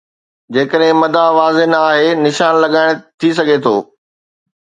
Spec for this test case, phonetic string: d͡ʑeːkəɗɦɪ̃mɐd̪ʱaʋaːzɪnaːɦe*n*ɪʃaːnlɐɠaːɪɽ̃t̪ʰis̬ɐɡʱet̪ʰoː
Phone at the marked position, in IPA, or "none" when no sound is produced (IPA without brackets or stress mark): n